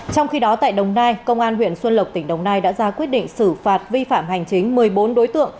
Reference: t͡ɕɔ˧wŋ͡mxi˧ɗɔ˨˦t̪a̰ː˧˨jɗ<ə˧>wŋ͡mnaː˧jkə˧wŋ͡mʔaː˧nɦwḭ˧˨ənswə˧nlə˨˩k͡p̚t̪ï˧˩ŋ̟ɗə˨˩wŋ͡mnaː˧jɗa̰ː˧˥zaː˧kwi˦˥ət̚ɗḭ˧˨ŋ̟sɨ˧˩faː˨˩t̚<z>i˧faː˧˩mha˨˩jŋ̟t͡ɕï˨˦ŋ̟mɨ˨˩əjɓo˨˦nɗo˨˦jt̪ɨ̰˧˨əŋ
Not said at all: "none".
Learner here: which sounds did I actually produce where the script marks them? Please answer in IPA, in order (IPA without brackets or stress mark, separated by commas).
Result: ə˨˩, v